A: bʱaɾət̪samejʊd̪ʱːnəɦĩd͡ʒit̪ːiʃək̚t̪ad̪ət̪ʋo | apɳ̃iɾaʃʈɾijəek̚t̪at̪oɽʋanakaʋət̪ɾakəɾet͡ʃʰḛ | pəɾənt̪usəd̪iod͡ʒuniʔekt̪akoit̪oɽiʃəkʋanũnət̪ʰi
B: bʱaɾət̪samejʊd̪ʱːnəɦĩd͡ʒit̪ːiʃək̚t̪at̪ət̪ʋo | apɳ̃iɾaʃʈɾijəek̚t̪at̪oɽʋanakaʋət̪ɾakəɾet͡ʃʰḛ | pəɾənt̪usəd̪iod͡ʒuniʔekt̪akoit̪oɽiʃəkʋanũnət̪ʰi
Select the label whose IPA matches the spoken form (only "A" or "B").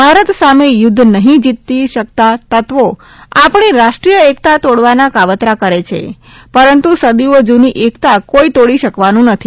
B